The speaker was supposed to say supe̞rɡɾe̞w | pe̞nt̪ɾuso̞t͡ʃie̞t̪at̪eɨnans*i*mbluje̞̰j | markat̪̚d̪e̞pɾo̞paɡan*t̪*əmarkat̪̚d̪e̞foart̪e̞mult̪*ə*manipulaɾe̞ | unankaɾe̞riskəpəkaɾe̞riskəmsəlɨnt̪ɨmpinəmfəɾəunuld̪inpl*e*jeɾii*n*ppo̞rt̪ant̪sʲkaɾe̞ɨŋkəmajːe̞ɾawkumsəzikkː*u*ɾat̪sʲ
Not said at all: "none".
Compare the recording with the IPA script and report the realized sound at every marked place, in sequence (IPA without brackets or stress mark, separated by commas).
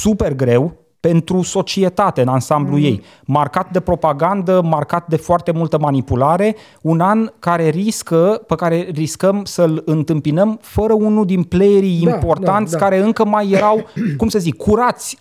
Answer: a, d̪, ə, e, m, u